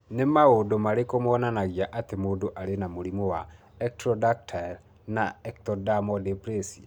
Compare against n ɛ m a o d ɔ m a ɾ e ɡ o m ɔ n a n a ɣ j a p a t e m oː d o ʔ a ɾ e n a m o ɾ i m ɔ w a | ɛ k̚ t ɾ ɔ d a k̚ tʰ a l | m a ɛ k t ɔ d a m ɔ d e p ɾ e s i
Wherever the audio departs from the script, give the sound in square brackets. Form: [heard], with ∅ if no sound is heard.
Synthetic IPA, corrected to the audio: n [e] m a o d [o] m a ɾ e [k] o m ɔ n a n a ɣ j a [ʔ] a t e m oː d o ʔ a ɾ e n a m o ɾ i m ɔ w a | ɛ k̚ t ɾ ɔ d a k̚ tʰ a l | [n] a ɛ k t ɔ d a m ɔ d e p ɾ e s i